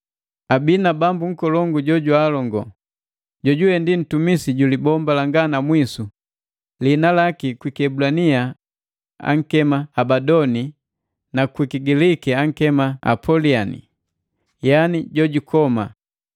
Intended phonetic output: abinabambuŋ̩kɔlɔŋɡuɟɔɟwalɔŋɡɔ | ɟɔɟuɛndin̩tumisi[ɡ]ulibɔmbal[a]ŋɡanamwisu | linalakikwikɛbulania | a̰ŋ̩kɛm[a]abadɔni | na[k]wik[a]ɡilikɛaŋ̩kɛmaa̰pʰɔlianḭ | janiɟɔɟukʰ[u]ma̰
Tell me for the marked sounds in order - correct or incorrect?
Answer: incorrect, correct, correct, correct, incorrect, incorrect

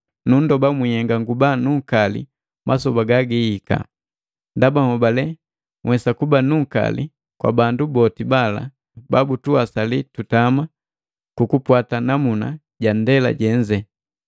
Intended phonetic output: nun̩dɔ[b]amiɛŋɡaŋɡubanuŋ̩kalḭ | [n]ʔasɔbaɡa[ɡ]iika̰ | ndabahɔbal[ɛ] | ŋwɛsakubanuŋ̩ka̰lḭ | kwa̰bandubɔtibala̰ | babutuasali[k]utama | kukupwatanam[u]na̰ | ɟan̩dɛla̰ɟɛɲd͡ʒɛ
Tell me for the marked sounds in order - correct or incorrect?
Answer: correct, incorrect, correct, correct, incorrect, correct

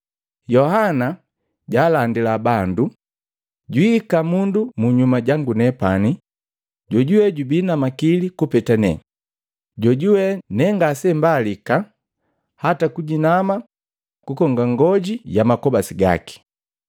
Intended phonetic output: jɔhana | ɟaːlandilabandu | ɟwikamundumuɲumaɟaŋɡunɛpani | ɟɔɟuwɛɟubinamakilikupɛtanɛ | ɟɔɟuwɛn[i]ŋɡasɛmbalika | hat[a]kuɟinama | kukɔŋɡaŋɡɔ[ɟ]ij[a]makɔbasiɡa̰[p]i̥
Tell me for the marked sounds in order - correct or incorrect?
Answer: incorrect, correct, correct, correct, incorrect

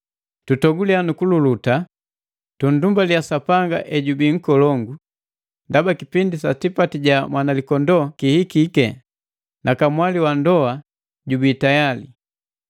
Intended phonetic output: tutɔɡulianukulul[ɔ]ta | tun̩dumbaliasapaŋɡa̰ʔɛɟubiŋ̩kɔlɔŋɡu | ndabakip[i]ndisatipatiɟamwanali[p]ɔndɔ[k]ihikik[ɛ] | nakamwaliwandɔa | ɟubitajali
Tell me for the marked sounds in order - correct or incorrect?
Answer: incorrect, correct, incorrect, correct, correct

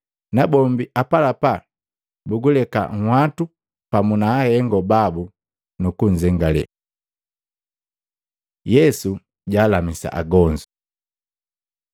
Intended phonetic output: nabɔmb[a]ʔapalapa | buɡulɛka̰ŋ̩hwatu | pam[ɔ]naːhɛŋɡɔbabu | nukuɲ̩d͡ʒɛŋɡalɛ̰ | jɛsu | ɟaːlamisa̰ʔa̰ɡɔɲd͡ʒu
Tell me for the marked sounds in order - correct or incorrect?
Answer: incorrect, incorrect

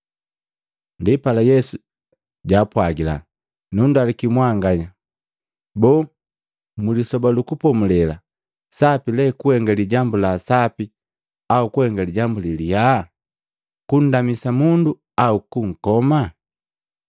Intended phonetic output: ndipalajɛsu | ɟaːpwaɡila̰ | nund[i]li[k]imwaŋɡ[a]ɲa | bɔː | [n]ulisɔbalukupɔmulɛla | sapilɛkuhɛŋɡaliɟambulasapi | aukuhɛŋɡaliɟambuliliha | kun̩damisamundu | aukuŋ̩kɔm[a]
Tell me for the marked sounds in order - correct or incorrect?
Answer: incorrect, correct, correct, incorrect, correct

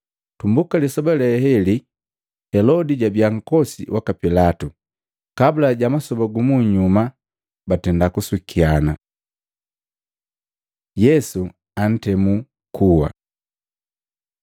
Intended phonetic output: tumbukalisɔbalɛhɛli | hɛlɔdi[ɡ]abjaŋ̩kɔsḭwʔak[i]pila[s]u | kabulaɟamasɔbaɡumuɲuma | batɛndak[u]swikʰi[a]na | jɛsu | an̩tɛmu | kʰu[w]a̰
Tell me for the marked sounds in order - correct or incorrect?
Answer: incorrect, incorrect, incorrect, correct, correct, correct

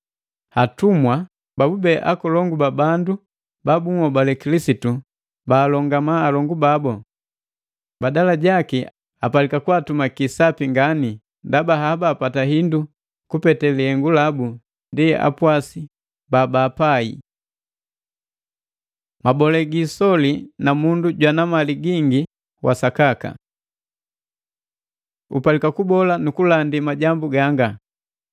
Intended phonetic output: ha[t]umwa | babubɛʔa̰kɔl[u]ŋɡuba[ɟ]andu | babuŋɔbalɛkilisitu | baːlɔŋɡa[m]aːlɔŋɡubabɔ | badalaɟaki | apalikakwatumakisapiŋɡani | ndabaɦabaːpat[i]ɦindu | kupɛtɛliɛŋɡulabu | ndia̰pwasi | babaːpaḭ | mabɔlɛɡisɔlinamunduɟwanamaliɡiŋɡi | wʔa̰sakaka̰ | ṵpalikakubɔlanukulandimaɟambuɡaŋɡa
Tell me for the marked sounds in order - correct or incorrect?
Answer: correct, incorrect, incorrect, correct, incorrect

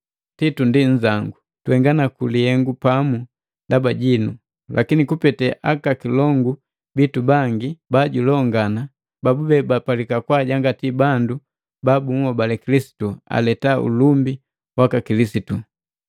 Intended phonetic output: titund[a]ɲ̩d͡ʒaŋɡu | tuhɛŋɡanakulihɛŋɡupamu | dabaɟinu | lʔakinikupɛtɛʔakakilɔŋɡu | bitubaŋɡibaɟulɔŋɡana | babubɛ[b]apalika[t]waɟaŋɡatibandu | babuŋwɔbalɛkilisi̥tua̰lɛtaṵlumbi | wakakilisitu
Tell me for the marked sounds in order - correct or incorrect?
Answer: incorrect, correct, incorrect

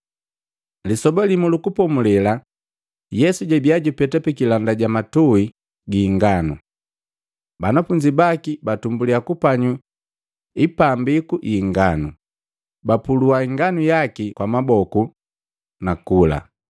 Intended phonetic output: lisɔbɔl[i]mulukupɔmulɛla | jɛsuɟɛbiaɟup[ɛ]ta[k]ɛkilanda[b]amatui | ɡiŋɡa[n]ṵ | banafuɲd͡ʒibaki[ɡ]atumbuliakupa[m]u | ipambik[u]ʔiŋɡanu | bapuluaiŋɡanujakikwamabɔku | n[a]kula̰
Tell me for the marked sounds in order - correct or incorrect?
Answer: correct, correct, incorrect, incorrect, correct, incorrect, incorrect, correct, correct

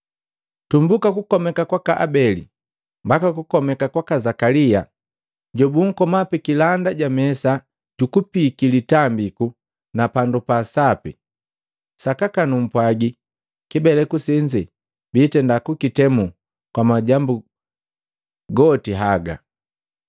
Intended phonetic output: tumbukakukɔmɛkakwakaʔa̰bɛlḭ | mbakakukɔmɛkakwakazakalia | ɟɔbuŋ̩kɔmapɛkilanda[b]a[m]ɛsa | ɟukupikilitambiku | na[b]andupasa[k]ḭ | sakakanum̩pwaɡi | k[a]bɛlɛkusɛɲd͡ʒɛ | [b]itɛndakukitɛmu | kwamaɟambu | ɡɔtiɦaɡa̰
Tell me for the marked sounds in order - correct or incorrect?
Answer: incorrect, correct, incorrect, incorrect, incorrect, correct

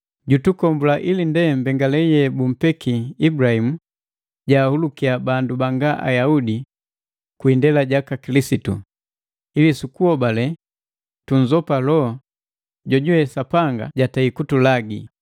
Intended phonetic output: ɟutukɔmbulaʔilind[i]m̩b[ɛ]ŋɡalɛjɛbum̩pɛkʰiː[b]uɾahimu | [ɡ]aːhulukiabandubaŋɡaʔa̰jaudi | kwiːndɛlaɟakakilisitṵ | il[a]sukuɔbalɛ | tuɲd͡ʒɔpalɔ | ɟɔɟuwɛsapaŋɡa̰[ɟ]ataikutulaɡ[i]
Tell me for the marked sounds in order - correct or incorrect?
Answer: incorrect, correct, correct, incorrect, incorrect, correct, correct

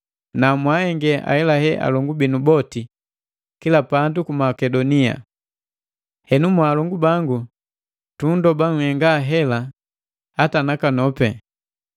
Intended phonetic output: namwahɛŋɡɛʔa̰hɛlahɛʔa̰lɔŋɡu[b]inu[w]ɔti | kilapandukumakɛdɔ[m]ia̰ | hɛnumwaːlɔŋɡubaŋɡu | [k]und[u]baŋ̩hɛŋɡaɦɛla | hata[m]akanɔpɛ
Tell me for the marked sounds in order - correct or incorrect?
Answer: correct, incorrect, incorrect, incorrect, incorrect, incorrect

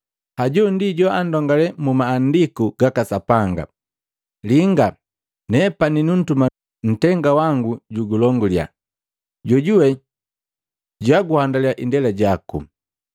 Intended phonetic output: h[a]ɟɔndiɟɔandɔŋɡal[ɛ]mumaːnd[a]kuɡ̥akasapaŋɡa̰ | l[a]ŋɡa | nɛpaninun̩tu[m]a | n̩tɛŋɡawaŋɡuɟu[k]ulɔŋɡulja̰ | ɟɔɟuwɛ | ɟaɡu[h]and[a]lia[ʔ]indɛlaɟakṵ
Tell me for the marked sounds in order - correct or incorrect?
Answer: correct, correct, incorrect, incorrect, correct, incorrect, correct, correct, correct

